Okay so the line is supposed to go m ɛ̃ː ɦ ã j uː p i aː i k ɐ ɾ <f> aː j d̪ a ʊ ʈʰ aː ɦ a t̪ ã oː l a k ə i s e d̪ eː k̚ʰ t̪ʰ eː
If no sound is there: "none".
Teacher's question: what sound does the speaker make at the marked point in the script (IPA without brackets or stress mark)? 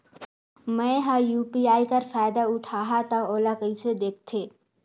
f